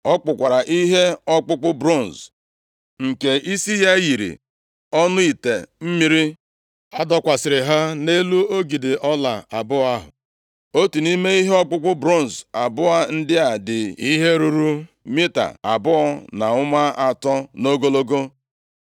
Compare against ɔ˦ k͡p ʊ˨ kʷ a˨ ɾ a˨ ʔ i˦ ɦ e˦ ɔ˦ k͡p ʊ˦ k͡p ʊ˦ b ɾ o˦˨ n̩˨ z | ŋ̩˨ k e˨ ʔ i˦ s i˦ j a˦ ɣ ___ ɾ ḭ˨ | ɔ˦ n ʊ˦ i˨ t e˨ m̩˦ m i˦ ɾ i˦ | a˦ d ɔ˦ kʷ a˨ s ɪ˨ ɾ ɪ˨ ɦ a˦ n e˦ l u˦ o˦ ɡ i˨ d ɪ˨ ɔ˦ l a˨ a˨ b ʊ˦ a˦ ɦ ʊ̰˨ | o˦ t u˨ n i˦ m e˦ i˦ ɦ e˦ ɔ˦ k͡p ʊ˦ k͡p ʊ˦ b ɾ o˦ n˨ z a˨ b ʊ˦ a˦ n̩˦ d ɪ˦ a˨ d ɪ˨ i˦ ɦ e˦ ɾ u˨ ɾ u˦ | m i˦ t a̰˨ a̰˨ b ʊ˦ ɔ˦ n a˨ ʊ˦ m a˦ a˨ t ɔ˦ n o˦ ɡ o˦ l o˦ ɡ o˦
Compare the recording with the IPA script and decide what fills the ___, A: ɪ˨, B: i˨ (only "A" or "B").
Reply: B